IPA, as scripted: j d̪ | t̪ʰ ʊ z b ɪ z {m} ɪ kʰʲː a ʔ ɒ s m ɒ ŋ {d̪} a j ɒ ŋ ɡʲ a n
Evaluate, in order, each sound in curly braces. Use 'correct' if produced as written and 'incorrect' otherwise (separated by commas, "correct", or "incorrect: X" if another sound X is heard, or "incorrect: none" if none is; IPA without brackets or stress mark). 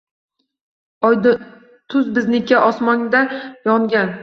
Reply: incorrect: n, correct